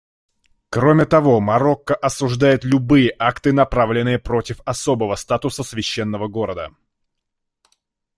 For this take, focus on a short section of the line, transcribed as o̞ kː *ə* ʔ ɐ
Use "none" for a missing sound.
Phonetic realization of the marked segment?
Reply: ə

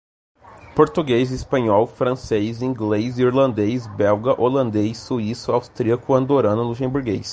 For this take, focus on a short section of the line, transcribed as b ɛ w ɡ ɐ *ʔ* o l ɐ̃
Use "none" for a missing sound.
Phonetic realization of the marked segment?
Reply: ʔ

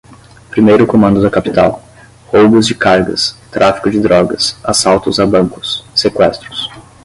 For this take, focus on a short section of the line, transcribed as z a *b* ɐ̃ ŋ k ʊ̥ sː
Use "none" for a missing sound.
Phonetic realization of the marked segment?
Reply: b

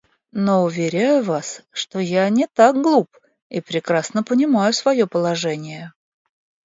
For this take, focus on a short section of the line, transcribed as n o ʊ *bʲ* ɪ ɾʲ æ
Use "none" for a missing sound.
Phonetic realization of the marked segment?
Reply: vʲ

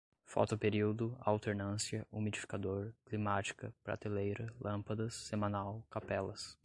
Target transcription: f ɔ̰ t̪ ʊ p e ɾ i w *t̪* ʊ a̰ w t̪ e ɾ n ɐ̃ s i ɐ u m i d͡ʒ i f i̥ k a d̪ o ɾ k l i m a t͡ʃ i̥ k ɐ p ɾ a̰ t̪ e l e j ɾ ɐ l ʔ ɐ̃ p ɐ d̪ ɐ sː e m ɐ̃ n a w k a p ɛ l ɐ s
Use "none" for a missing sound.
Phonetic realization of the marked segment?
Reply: d̪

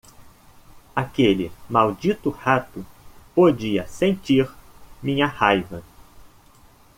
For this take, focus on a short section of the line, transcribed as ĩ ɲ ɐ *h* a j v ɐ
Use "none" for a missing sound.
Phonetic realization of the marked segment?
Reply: h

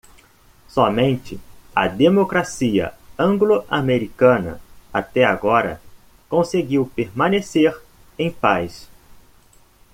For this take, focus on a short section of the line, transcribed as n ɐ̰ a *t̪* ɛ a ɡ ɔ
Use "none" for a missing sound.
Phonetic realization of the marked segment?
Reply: t̪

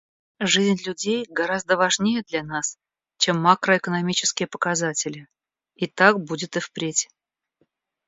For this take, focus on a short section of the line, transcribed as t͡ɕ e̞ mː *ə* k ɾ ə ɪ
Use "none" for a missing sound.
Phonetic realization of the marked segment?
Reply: a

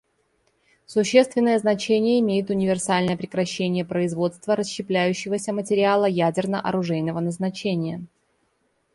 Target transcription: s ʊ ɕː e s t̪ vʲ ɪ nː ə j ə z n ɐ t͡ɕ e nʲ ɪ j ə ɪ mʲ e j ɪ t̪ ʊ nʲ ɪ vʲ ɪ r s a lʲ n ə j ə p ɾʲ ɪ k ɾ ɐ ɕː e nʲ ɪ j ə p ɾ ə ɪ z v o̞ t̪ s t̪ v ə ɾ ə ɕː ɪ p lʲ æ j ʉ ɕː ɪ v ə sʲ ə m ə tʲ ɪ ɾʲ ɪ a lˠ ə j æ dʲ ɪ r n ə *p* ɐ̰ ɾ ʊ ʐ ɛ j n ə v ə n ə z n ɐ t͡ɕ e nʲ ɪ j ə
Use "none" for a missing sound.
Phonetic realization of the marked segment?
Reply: ʔ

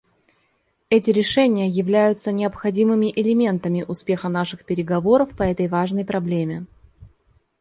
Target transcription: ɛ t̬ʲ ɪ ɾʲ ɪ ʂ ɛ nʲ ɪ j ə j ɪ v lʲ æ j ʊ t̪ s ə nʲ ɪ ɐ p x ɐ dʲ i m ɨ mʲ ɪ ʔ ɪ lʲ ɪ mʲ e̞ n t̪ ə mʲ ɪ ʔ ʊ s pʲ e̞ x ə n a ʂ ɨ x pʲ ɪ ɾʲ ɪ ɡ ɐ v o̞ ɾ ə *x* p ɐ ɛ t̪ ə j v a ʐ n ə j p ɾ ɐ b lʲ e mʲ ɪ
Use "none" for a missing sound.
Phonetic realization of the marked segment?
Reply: f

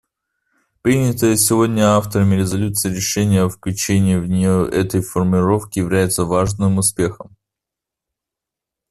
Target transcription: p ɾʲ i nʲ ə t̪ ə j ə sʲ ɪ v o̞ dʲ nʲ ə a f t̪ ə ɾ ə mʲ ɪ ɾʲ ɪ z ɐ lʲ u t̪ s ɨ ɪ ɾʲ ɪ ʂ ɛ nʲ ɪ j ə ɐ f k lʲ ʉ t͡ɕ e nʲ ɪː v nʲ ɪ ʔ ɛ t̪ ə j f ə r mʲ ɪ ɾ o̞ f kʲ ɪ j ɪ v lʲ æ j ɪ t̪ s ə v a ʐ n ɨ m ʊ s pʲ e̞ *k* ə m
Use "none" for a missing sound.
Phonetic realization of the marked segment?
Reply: x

